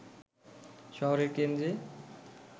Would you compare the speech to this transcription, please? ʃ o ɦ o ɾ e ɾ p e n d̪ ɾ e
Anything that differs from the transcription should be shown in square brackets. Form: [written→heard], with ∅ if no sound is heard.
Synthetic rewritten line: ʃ [o→ɔ] ɦ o ɾ e ɾ [p→k] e n d̪ ɾ e

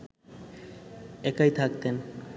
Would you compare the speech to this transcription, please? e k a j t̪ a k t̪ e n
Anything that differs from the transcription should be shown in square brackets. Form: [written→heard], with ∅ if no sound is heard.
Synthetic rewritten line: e k a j [t̪→t̪ʰ] a k t̪ e n

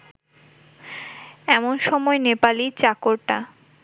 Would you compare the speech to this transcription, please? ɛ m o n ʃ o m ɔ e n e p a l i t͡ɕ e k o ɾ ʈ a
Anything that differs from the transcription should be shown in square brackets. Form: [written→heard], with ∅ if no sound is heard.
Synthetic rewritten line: ɛ m o n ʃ [o→ɔ] m ɔ e n e p a l i t͡ɕ [e→a] k o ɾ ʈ a

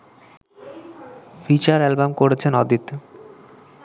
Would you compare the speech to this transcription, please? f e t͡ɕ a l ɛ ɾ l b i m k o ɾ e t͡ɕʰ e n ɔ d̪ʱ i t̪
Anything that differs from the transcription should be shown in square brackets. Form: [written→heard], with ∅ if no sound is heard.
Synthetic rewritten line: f [e→i] t͡ɕ a [l→ɾ] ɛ [ɾ→∅] l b [i→a] m k o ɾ e t͡ɕʰ e n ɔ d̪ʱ i t̪

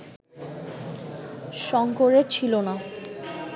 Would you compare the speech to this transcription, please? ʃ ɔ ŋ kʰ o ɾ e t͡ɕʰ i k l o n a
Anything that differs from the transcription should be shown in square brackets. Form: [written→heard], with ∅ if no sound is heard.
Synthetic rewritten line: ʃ ɔ ŋ [kʰ→k] o ɾ e t͡ɕʰ i [k→∅] l o n a

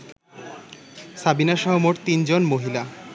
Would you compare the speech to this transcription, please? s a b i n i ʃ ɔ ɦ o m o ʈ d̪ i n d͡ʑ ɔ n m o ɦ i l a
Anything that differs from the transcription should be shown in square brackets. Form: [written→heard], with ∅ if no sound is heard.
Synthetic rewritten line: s a b i n [i→a] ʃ ɔ ɦ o m o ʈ [d̪→t̪] i n d͡ʑ [ɔ→o] n m o ɦ i l a

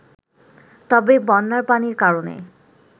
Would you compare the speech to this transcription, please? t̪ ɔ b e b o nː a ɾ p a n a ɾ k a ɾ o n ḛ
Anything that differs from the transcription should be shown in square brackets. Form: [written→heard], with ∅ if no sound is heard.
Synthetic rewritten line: t̪ ɔ b e b [o→ɔ] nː a ɾ p a n [a→i] ɾ k a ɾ o n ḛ

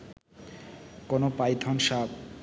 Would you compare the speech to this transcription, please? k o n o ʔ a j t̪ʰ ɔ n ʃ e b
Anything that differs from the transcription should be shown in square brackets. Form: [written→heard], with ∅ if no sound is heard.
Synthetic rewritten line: k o n o [ʔ→p] a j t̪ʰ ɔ n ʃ [e→a] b

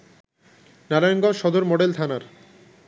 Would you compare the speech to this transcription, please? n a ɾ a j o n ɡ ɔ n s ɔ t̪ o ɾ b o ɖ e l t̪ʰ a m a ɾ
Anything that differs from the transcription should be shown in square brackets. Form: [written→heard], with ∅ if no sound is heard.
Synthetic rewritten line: n a ɾ a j o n ɡ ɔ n [s→ʃ] ɔ [t̪→d̪] o ɾ [b→m] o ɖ e l t̪ʰ a [m→n] a ɾ

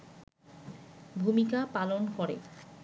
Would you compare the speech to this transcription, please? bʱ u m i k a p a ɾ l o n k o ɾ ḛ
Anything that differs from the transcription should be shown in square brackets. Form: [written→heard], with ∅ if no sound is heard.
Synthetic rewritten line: bʱ u m i k a p a [ɾ→∅] l o n k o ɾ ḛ

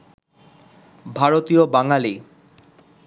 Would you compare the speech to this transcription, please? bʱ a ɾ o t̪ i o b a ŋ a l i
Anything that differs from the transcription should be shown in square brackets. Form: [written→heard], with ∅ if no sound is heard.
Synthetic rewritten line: bʱ a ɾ o t̪ i o b a ŋ a l i

